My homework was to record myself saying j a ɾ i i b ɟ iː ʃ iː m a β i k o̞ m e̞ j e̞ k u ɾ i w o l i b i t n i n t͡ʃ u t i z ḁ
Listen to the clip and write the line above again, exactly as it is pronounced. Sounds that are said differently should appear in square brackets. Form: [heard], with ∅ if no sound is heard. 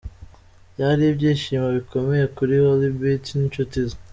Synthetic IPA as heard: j a ɾ i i b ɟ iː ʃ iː m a β i k o̞ m e̞ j e̞ k u ɾ i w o l i b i t n i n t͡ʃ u t i z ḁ